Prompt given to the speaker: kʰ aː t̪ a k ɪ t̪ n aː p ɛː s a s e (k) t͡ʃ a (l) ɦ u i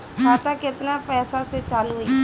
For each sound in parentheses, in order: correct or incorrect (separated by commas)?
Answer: incorrect, correct